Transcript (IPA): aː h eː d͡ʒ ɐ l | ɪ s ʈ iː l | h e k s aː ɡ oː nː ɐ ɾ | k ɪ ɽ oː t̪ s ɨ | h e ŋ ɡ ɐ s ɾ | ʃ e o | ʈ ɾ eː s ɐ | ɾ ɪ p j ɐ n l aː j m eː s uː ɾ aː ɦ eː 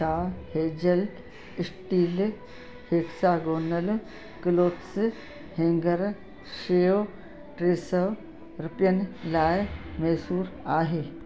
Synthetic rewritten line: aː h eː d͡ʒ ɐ l | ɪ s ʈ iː l | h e k s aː ɡ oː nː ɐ l | k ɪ l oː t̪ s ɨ | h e ŋ ɡ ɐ ɾ | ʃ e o | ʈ ɾ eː s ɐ | ɾ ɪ p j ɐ n l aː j m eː s uː ɾ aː ɦ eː